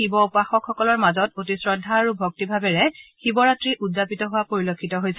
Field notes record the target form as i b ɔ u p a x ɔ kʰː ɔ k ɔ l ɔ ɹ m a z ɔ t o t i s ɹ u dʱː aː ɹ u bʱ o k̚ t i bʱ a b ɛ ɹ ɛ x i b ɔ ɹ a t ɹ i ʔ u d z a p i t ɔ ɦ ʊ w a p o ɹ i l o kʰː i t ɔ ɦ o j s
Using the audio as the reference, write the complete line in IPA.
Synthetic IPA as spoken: i b ɔ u p a x ɔ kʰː ɔ k ɔ l ɔ ɹ m a z ɔ t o t i s ɹ ɔ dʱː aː ɹ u bʱ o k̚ t i bʱ a b ɛ ɹ ɛ x i b ɔ ɹ a t ɹ i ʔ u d z a p i t ɔ ɦ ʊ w a p o ɹ i l o kʰː i t ɔ ɦ o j s

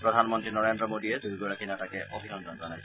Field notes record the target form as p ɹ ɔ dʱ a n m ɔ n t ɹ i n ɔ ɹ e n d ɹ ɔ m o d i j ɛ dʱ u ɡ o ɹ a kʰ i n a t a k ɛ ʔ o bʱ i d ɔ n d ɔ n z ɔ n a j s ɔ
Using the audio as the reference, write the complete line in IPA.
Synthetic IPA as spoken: p ɹ ɔ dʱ a n m ɔ n t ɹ i n ɔ ɹ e n d ɹ ɔ m o d i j ɛ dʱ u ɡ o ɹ a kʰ i n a t a k ɛ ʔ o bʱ i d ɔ n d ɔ n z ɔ n a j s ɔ

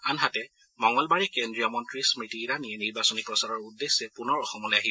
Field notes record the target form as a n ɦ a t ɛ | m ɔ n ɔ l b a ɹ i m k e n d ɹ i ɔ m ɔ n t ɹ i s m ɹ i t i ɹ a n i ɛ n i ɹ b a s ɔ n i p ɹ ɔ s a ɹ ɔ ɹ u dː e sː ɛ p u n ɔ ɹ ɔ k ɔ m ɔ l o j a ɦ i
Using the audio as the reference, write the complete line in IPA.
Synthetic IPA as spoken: a n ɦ a t ɛ | m ɔ ŋ ɔ l b a ɹ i k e n d ɹ i ɔ m ɔ n t ɹ i s m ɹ i t i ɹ a n i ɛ n i ɹ b a s ɔ n i p ɹ ɔ s a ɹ ɔ ɹ u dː e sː ɛ p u n ɔ ɹ ɔ x ɔ m ɔ l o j a ɦ i

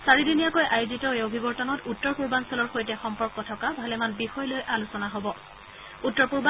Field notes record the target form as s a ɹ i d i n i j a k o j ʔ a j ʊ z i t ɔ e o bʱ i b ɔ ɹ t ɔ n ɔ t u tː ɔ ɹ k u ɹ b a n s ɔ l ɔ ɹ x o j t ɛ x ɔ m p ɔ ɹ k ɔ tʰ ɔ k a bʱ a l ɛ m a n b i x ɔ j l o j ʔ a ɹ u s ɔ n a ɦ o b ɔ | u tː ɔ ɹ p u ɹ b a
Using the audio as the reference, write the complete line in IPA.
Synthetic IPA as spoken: s a ɹ i d i n i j a k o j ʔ a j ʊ z i t ɔ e o bʱ i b ɔ ɹ t ɔ n ɔ t u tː ɔ ɹ p u ɹ b a n s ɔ l ɔ ɹ x o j t ɛ x ɔ m p ɔ ɹ k ɔ tʰ ɔ k a bʱ a l ɛ m a n b i x ɔ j l o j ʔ a l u s ɔ n a ɦ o b ɔ | u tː ɔ ɹ p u ɹ b a

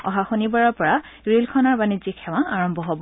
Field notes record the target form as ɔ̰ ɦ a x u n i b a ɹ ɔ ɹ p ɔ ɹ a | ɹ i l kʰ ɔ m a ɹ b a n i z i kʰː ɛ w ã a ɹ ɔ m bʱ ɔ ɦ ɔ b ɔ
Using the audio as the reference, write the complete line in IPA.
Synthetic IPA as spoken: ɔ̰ ɦ a x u n i b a ɹ ɔ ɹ p ɔ ɹ a | ɹ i l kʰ ɔ n a ɹ b a n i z i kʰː ɛ w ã a ɹ ɔ m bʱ ɔ ɦ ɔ b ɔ

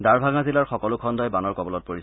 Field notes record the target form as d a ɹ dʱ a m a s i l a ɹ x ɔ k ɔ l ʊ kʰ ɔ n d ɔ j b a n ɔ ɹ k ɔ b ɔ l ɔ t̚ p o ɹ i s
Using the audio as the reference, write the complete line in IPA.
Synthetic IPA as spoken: d a ɹ bʱ a ŋ a z i l a ɹ x ɔ k ɔ l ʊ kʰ ɔ n d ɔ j b a n ɔ ɹ k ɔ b ɔ l ɔ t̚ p o ɹ i s

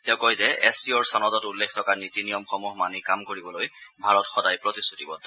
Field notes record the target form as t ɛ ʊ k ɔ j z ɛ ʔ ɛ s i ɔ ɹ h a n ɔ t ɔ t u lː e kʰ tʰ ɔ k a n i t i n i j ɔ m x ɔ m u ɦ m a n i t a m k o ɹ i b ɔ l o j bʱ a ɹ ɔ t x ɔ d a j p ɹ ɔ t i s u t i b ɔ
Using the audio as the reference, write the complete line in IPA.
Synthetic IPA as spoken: t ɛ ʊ k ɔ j z ɛ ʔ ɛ s i ɔ ɹ s a n ɔ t ɔ t u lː e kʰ tʰ ɔ k a n i t i n i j ɔ m x ɔ m u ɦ m a n i k a m k o ɹ i b ɔ l o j bʱ a ɹ ɔ t x ɔ d a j p ɹ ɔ t i s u t i b ɔ

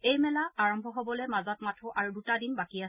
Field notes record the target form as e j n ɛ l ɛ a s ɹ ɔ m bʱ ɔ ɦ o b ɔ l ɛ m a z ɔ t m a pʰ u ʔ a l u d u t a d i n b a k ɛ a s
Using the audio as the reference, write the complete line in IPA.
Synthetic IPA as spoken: e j m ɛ l a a ɹ ɔ m bʱ ɔ ɦ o b ɔ l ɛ m a z ɔ t m a tʰ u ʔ a ɹ u d u t a d i n b a k i a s

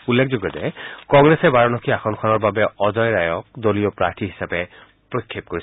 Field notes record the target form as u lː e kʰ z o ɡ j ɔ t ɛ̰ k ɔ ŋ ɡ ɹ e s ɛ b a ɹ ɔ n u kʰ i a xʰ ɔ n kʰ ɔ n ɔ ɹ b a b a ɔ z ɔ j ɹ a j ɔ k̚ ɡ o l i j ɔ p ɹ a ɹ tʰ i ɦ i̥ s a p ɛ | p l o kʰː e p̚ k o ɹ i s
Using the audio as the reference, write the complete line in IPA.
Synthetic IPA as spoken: u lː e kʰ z o ɡ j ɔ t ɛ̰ k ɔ ŋ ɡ ɹ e s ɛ b a ɹ ɔ n ɔ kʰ i a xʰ ɔ n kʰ ɔ n ɔ ɹ b a b ɛ ɔ z ɔ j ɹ a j ɔ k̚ d o l i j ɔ p ɹ a ɹ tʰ i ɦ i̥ s a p ɛ | p ɹ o kʰː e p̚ k o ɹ i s

